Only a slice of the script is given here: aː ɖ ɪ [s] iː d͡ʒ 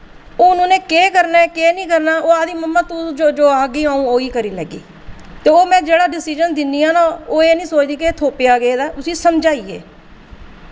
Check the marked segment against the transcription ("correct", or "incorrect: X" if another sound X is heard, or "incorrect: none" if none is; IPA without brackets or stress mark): correct